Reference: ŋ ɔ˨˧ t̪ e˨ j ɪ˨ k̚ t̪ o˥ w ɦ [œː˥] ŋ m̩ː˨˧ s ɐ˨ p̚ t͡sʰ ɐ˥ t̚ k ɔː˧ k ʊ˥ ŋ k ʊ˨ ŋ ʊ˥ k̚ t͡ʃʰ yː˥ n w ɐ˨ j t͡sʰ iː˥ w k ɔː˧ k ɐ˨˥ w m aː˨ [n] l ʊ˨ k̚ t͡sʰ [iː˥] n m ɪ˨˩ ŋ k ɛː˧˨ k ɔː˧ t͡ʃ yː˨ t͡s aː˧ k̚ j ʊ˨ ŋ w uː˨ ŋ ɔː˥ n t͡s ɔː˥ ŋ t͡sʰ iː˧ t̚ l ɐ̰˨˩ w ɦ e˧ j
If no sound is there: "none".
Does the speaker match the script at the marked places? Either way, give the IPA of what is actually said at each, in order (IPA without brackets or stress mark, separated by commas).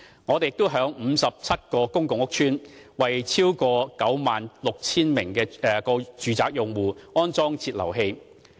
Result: œː˨˥, n, iː˥